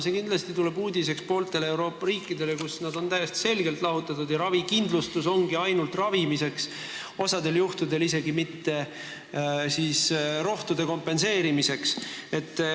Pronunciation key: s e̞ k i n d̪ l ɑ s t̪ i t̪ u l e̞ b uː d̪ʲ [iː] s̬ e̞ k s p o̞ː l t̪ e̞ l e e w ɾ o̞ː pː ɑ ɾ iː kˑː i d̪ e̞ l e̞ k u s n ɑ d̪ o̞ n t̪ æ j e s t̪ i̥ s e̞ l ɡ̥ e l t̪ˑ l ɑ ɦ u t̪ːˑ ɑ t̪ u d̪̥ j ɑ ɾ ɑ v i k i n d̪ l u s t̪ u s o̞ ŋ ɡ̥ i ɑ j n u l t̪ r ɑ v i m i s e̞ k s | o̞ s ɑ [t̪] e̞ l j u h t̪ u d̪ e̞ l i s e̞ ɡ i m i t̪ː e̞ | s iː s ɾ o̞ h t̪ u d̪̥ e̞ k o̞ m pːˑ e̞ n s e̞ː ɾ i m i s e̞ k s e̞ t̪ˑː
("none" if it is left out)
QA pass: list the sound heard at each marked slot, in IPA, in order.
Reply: i, d̪

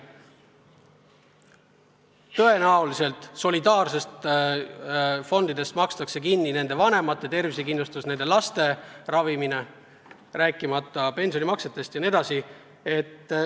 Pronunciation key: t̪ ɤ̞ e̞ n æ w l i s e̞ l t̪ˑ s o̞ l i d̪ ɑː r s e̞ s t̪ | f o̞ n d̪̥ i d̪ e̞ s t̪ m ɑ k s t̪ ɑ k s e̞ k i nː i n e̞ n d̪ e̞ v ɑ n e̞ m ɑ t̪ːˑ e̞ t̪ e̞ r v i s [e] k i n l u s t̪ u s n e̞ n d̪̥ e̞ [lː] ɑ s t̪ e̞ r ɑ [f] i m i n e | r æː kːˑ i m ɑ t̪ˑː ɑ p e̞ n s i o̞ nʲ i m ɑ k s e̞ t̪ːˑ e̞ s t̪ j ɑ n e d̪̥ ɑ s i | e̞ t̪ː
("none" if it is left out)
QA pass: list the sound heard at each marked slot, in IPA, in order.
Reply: e, l, v

